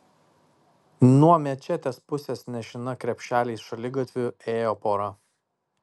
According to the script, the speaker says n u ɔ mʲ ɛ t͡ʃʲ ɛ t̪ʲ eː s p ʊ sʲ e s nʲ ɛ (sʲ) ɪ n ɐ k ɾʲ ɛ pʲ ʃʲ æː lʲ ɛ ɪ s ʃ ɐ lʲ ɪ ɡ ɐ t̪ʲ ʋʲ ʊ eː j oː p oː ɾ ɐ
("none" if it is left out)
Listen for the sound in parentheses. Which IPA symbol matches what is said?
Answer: ʃʲ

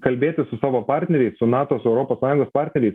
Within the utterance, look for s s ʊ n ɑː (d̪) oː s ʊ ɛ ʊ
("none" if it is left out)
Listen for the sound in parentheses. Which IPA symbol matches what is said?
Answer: t̪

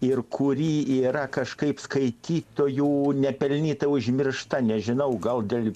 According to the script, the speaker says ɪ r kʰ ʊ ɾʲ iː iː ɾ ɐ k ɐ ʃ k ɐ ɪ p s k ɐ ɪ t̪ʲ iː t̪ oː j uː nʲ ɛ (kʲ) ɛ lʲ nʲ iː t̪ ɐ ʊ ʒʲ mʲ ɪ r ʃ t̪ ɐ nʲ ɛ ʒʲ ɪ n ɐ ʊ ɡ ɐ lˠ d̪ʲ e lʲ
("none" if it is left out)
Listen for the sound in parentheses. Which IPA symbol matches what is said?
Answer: pʲ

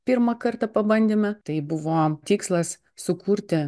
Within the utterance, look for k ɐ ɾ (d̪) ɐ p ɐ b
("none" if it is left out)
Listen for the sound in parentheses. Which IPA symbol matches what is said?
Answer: t̪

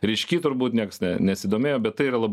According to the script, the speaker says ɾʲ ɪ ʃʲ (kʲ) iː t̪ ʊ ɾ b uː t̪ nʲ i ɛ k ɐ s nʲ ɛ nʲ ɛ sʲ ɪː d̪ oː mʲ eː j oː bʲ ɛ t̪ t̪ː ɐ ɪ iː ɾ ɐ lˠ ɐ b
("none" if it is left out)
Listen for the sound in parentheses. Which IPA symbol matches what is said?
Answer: kʲ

